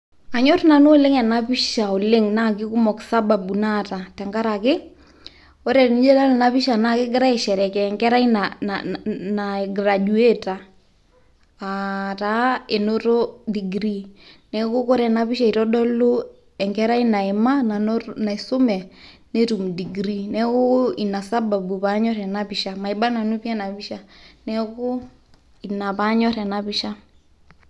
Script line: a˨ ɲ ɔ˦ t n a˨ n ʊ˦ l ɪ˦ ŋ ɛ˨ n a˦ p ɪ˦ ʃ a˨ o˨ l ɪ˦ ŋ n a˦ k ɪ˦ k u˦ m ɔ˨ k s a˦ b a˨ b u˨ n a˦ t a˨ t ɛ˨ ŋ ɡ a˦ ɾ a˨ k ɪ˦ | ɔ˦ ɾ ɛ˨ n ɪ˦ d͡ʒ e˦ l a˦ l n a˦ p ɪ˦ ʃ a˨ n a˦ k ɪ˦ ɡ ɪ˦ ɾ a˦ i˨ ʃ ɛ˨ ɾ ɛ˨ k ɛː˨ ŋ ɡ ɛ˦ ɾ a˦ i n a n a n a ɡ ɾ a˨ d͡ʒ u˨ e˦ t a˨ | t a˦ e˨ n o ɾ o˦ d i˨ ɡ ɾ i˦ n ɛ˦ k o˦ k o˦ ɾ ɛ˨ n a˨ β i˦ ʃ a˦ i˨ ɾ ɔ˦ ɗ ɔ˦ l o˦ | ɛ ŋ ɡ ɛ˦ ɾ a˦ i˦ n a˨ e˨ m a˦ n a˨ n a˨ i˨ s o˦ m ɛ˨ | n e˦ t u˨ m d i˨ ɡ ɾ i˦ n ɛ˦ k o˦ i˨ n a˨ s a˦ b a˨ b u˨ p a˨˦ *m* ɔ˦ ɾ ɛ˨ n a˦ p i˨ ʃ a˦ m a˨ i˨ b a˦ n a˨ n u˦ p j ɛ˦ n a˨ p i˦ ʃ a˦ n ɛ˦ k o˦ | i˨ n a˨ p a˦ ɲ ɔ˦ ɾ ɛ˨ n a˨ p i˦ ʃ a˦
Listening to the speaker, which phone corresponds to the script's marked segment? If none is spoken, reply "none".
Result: ɲ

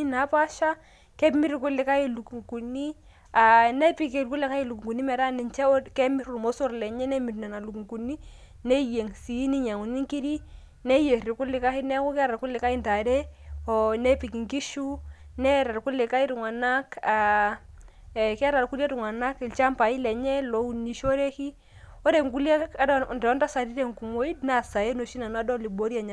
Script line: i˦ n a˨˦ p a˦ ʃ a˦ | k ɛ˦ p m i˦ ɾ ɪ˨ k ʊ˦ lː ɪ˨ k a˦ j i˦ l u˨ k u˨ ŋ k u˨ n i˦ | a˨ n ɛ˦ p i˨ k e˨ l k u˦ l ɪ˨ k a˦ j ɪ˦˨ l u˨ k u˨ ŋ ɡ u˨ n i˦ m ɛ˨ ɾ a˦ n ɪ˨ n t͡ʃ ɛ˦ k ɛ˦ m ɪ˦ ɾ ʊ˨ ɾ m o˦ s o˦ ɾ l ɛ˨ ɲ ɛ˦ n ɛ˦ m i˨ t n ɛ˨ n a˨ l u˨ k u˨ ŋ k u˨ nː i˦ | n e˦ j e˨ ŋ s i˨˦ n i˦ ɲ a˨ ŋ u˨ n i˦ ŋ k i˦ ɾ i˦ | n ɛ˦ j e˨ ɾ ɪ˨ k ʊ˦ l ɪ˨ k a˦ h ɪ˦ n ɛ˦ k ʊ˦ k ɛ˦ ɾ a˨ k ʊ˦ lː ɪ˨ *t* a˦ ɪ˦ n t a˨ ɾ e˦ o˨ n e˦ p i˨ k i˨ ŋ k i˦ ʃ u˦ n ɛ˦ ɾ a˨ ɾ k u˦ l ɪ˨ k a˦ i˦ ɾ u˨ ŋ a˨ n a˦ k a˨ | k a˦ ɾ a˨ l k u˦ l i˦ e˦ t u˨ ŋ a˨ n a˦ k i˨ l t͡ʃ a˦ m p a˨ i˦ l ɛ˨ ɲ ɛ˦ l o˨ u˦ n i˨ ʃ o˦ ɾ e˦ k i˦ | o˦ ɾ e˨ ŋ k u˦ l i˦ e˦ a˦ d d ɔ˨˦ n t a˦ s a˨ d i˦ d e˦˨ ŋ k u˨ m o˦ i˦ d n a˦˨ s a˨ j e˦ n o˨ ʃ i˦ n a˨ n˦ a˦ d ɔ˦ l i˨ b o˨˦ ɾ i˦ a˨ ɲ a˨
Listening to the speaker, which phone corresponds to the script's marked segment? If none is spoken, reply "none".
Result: k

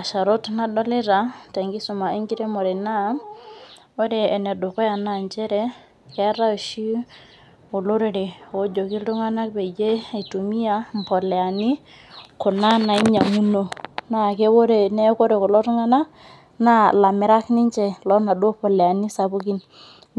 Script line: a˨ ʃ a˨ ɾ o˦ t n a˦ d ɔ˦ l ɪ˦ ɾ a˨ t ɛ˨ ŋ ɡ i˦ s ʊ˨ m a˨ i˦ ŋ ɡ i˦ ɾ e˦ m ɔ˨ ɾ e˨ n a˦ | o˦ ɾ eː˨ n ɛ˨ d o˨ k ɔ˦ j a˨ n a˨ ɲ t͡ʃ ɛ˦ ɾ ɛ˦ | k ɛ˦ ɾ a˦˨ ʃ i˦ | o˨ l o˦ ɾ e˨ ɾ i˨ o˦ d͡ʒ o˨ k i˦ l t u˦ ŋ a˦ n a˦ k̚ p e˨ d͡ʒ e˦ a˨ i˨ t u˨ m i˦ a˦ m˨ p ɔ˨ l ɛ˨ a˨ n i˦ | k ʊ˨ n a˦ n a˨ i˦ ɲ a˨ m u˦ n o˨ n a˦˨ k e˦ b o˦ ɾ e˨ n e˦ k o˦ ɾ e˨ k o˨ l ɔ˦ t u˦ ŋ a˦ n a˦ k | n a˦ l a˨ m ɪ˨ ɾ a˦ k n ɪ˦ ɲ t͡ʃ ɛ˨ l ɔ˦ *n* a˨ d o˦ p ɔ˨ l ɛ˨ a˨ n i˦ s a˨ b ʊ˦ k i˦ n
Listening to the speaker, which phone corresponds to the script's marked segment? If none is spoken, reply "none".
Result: n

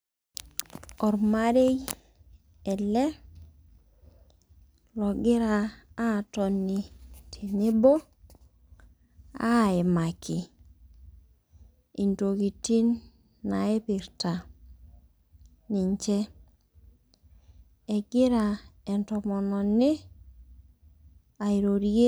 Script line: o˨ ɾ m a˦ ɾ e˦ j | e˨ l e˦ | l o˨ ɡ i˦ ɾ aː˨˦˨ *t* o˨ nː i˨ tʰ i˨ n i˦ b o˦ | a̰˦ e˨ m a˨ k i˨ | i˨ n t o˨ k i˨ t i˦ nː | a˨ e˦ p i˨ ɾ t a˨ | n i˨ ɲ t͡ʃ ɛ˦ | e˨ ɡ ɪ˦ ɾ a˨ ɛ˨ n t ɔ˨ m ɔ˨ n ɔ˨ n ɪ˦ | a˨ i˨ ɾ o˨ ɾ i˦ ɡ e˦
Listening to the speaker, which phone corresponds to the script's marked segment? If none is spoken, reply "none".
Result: t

